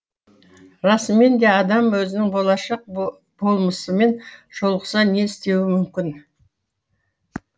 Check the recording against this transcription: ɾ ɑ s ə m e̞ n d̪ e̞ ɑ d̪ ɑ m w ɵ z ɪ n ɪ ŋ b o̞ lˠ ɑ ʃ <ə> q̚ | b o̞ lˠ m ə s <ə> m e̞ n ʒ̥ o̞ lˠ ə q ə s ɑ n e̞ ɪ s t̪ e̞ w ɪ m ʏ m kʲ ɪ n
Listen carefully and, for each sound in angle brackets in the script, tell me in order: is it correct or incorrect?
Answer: incorrect: ɑ, correct

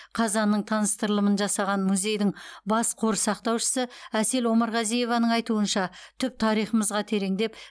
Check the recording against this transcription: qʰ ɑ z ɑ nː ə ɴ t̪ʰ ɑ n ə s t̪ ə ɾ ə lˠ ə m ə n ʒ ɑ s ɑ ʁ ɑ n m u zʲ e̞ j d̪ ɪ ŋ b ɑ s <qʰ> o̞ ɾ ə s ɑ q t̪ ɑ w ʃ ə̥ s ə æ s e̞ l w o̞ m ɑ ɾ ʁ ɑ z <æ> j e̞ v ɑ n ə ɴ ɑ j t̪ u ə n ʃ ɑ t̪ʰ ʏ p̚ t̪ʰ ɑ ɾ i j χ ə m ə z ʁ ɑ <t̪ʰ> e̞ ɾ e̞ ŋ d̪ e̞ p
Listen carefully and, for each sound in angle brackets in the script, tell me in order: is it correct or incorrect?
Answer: correct, incorrect: i, correct

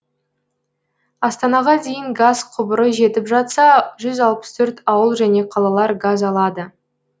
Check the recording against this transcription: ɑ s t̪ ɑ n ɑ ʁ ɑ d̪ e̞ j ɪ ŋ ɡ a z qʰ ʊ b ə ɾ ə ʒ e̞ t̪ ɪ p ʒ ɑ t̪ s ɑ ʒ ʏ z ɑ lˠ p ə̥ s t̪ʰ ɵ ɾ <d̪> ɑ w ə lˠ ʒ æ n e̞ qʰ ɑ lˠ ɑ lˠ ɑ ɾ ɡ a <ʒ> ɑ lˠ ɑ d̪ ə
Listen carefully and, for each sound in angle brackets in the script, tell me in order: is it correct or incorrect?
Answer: incorrect: t̪, incorrect: z

